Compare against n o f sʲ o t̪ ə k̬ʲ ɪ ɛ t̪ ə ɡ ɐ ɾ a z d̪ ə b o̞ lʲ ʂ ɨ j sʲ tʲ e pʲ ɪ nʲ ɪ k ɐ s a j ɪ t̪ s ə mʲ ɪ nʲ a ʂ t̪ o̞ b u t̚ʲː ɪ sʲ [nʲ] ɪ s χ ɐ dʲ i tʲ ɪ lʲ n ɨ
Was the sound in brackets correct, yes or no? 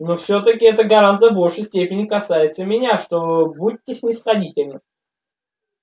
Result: yes